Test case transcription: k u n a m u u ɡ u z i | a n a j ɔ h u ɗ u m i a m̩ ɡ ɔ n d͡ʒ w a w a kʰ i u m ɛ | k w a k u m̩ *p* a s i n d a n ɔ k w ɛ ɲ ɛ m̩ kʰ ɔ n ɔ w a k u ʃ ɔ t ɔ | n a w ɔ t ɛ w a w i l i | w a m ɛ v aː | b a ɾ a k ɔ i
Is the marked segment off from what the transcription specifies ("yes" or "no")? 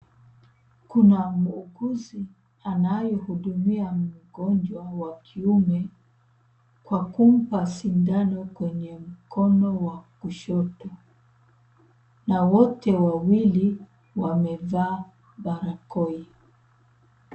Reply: no